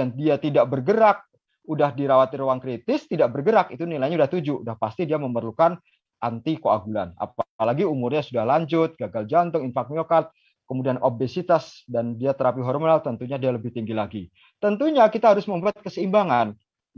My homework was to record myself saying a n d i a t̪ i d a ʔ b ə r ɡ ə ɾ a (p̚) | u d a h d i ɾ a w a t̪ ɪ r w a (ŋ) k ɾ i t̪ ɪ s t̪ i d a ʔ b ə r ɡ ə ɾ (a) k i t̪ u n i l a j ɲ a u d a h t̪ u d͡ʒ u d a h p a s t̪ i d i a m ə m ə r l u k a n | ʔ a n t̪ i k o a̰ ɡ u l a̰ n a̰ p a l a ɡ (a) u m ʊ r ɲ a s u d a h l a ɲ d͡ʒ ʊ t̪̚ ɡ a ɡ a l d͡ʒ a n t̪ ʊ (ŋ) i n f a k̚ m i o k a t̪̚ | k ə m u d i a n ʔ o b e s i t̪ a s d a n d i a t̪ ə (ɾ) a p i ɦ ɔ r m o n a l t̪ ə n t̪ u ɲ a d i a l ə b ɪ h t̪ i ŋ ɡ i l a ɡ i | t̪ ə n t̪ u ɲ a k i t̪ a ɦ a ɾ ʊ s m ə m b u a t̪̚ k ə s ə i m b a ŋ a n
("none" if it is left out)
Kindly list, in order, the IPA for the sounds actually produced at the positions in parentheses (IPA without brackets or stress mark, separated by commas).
k̚, ŋ, a, i, ŋ, ɾ